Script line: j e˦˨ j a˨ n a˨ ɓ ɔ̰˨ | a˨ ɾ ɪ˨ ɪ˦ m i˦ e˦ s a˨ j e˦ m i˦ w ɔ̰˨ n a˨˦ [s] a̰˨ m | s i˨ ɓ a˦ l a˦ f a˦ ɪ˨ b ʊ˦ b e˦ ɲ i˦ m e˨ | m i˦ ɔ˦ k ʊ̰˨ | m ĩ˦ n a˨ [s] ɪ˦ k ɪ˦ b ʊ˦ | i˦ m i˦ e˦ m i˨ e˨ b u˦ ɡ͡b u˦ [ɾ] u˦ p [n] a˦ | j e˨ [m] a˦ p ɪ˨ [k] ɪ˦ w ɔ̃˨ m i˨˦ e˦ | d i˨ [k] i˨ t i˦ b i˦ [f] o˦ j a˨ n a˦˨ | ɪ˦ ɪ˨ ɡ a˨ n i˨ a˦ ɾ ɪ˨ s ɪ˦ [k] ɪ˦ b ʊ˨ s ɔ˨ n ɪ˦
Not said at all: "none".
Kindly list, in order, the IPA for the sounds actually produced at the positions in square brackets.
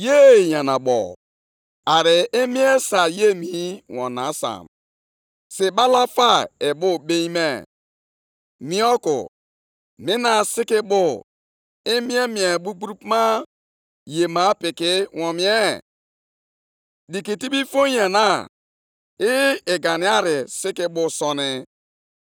s, s, ɾ, m, m, k, k, f, k

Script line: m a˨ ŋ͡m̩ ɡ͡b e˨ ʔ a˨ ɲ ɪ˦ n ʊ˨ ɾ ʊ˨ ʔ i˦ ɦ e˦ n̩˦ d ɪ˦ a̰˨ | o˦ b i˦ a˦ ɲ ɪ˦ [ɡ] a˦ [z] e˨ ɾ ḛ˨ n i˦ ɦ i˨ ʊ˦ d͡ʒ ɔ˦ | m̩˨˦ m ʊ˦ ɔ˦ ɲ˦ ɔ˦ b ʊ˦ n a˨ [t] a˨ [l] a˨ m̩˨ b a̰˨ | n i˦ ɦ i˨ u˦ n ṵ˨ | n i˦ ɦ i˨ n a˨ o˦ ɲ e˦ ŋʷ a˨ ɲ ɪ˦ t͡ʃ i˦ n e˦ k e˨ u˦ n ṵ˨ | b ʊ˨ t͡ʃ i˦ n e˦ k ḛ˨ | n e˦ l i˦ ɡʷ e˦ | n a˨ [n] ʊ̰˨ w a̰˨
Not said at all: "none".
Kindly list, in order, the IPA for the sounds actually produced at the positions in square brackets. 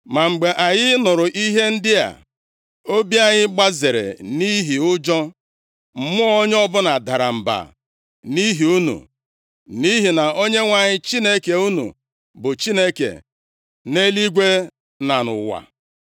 ɡ͡b, z, d, ɾ, n

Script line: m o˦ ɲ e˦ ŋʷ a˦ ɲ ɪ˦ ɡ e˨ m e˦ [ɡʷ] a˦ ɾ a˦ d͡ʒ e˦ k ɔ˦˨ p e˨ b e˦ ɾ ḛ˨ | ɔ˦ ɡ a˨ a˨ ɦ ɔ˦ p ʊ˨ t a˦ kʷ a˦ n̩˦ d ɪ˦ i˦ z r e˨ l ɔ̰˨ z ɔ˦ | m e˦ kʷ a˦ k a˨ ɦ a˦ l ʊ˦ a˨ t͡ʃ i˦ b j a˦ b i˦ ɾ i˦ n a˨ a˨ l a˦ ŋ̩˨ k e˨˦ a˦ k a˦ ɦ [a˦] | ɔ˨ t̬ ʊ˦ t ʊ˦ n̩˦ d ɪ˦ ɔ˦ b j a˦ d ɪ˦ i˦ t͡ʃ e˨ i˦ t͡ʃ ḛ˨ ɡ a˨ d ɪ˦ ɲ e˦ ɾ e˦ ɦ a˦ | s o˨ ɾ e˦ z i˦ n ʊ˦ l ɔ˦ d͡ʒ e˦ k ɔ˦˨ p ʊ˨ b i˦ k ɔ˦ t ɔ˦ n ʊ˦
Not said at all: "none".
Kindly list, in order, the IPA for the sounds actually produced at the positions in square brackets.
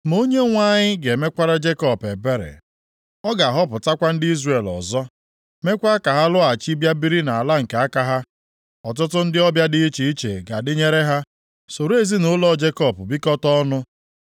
kʷ, a˦

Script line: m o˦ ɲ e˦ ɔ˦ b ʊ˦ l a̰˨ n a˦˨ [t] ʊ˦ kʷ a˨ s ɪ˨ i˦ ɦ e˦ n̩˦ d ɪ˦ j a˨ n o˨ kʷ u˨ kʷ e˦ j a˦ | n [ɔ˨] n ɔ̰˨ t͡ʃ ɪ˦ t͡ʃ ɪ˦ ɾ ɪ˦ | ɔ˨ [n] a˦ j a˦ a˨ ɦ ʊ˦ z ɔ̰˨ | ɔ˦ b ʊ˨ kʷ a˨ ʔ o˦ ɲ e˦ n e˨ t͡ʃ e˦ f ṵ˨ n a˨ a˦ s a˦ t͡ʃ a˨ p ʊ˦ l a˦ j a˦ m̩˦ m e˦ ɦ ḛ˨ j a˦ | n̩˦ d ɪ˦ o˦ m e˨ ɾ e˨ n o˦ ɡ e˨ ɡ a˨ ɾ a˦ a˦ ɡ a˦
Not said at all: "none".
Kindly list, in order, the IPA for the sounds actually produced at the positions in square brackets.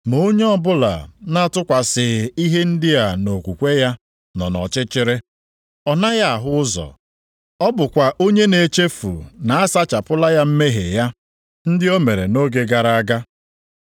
t, ɔ˨, n

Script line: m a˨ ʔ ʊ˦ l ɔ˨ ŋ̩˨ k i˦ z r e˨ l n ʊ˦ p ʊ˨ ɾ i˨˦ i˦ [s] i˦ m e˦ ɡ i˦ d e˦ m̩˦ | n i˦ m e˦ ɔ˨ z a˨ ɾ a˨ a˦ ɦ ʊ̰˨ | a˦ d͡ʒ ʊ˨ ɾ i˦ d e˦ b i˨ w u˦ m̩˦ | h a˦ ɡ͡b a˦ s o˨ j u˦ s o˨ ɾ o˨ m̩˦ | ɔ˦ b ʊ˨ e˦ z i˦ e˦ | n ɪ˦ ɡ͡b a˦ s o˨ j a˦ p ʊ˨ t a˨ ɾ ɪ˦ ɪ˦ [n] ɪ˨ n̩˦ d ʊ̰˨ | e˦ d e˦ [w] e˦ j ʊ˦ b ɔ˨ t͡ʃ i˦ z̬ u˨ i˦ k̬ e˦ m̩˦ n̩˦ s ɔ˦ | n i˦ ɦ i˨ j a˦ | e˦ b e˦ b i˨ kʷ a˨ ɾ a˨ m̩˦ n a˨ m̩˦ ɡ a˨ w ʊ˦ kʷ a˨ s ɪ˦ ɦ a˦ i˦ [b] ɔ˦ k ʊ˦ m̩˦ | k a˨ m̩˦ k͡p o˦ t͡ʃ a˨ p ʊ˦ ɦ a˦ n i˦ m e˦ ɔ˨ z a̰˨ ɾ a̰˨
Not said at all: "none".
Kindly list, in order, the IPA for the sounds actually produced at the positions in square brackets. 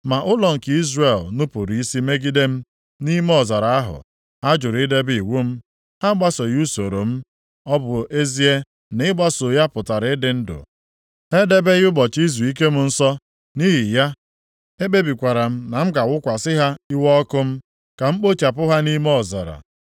s, d, b, w

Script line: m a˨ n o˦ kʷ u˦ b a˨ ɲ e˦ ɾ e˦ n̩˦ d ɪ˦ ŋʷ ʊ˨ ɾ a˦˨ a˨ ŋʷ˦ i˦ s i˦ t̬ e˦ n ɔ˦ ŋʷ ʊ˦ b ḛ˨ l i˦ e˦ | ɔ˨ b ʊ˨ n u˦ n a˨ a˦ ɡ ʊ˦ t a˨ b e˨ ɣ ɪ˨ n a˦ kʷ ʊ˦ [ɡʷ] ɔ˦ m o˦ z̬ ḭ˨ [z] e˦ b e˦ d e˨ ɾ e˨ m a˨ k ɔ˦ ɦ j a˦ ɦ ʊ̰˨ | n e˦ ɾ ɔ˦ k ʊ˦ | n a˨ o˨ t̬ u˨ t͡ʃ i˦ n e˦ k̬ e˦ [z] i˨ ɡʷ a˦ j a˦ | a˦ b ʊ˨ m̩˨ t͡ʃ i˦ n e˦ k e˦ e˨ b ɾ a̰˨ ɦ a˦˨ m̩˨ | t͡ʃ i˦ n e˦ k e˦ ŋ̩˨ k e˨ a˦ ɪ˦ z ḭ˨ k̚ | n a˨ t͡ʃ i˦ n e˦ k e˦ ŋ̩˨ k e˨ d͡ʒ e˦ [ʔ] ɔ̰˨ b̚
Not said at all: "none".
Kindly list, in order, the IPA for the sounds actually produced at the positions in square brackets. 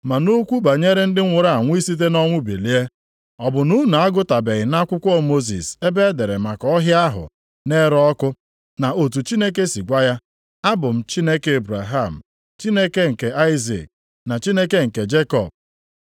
kʷ, s, s, k

